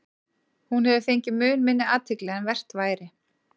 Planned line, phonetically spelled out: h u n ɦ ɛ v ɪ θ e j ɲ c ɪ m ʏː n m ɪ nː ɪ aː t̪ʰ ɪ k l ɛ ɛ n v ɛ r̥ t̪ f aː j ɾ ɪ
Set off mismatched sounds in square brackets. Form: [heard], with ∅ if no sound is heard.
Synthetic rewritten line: h u n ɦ ɛ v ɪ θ e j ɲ c ɪ m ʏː n m ɪ nː ɪ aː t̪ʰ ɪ k l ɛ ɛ n v ɛ r̥ t̪ [v] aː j ɾ ɪ